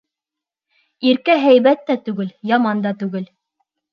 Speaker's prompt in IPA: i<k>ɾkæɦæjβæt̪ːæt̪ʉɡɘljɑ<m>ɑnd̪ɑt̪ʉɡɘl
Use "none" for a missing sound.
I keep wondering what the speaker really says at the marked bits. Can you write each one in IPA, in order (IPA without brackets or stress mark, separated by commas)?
none, m